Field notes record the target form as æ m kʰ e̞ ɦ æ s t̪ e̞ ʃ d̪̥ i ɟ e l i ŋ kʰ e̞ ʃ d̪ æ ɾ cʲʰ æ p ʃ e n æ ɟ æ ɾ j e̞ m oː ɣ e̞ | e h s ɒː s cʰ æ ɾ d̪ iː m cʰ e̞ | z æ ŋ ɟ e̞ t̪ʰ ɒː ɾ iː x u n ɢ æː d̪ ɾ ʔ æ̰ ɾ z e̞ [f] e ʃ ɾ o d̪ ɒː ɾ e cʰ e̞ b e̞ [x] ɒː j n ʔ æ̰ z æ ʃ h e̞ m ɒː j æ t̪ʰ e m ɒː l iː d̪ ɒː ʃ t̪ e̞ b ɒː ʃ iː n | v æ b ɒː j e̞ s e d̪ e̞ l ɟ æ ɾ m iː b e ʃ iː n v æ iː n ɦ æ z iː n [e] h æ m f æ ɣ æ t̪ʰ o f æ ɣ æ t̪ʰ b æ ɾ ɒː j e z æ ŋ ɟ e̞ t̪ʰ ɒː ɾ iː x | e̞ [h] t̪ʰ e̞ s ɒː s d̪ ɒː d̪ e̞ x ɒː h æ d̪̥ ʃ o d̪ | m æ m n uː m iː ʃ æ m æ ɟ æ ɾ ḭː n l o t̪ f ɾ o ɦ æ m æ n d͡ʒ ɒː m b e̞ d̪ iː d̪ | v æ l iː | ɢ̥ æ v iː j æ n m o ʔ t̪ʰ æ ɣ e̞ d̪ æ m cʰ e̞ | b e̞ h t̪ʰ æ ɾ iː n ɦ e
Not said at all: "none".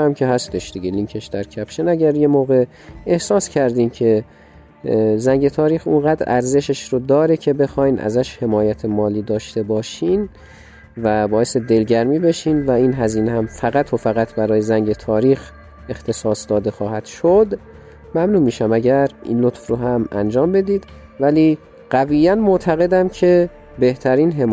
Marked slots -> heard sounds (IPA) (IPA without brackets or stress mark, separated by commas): ʃ, x, e, x